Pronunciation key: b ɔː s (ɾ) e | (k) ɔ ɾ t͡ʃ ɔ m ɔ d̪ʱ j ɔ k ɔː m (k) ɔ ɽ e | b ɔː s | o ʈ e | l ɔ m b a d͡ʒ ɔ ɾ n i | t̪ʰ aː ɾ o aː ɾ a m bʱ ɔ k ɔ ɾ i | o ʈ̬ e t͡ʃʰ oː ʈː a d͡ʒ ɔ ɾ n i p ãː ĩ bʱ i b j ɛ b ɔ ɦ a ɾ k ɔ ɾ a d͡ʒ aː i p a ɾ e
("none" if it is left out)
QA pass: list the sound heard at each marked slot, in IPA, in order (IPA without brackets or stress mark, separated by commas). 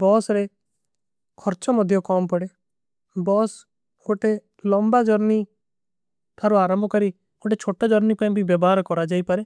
ɾ, kʰ, p